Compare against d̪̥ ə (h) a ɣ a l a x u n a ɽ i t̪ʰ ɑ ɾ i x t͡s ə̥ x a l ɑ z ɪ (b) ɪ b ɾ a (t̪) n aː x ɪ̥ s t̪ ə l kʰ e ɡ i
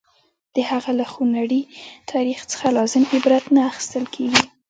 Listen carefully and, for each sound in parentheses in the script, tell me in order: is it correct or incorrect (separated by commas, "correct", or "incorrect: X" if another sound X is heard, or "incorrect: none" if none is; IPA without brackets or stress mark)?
correct, incorrect: m, correct